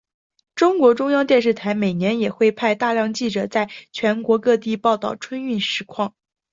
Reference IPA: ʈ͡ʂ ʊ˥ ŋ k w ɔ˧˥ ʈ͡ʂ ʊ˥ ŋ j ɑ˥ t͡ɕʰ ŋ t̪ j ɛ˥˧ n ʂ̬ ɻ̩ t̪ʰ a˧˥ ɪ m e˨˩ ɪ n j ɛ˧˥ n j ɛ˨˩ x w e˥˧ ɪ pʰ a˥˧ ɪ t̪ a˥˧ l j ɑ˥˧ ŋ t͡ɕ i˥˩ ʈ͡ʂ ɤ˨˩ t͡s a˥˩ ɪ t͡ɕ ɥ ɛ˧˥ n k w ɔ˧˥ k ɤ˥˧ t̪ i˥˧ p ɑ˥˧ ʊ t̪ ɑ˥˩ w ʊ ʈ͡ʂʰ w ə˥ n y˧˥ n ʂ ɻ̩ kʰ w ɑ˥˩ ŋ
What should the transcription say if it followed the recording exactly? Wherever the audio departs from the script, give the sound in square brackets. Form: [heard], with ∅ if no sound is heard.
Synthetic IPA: ʈ͡ʂ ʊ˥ ŋ k w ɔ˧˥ ʈ͡ʂ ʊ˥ ŋ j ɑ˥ [∅] ŋ t̪ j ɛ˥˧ n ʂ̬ ɻ̩ t̪ʰ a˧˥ ɪ m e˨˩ ɪ n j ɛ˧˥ n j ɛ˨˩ x w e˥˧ ɪ pʰ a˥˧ ɪ t̪ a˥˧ l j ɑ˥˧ ŋ t͡ɕ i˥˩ ʈ͡ʂ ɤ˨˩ t͡s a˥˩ ɪ [t͡ɕʰ] ɥ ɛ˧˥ n k w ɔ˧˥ k ɤ˥˧ t̪ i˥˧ p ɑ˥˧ ʊ t̪ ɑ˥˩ [∅] ʊ ʈ͡ʂʰ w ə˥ n [y˥˩] n ʂ ɻ̩ kʰ w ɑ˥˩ ŋ